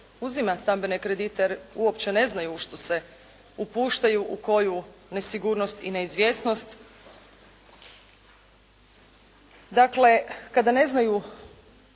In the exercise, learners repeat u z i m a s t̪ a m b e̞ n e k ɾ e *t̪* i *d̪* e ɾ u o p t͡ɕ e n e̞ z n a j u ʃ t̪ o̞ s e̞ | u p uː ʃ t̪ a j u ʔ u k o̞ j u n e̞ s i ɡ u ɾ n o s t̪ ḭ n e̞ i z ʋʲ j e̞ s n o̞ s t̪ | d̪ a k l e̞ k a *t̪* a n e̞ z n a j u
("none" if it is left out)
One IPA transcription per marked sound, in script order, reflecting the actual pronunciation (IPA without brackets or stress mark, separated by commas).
d̪, t̪, d̪